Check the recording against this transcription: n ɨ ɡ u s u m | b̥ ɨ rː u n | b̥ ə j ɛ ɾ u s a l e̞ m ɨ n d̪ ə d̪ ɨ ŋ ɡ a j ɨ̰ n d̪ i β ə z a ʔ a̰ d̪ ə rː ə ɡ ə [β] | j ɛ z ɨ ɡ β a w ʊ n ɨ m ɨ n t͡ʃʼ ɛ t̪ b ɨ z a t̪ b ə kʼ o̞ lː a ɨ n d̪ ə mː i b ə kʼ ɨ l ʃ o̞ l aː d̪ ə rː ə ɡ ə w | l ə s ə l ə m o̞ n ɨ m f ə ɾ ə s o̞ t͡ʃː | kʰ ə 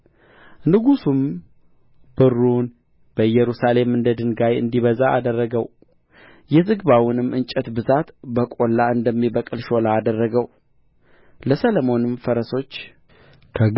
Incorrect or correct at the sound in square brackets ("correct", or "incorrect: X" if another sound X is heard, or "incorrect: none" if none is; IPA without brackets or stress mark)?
incorrect: w